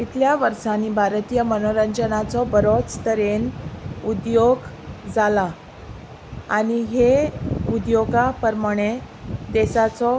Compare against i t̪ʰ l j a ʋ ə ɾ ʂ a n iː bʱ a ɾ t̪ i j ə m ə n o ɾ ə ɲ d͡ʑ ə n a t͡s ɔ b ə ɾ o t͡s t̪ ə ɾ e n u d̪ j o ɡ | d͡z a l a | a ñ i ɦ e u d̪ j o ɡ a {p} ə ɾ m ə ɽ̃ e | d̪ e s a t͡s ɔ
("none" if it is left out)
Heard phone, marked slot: p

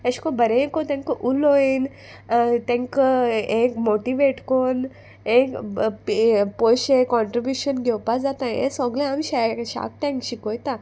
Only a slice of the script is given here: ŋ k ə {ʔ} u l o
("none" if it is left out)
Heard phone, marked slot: ʔ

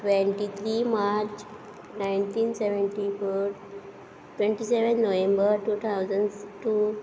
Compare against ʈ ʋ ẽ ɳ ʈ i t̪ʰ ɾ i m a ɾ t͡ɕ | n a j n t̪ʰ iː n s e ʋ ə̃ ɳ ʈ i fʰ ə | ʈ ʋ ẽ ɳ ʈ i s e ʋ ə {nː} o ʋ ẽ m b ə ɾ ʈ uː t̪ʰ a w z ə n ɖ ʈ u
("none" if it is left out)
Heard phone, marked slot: nː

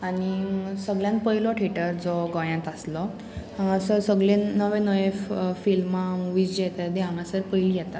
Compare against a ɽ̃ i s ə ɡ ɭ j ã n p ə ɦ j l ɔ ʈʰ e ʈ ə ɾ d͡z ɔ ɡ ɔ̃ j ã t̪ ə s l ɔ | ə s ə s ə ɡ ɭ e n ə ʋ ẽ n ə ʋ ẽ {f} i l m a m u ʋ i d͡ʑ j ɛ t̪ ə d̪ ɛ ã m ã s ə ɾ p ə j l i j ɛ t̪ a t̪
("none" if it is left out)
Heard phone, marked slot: f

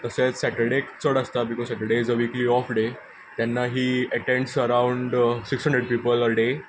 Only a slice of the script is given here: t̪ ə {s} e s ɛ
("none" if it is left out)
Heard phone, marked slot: s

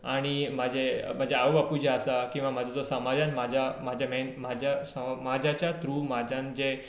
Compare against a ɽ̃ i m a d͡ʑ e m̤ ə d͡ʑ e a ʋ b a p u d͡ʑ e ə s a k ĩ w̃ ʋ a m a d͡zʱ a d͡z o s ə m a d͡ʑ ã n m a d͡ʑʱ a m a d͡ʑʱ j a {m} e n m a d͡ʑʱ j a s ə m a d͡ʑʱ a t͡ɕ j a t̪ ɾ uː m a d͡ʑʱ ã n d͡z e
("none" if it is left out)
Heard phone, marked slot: m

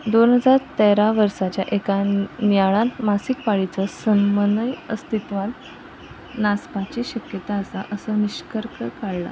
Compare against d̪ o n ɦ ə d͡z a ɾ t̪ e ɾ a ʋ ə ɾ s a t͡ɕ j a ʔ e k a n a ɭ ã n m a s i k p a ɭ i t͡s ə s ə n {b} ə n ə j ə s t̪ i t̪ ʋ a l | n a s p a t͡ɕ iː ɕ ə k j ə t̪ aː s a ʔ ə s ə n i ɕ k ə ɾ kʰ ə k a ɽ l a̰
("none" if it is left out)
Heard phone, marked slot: m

